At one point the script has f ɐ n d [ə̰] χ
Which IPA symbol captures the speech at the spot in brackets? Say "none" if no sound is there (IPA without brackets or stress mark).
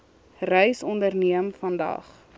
ɐ̰